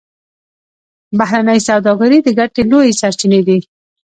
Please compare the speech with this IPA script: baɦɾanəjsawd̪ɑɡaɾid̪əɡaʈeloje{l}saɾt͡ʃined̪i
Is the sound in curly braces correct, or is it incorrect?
incorrect